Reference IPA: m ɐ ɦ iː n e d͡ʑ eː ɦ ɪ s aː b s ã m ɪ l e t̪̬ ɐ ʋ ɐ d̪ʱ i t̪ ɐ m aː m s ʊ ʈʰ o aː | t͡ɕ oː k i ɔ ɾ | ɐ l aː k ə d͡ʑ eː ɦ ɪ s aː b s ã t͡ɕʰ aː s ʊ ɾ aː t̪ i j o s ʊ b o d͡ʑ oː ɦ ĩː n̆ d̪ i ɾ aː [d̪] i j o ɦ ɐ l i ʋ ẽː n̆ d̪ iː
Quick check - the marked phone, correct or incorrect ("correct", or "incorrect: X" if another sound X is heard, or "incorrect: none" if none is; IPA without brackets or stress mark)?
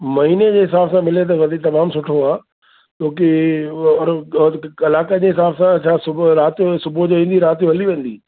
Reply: incorrect: t̪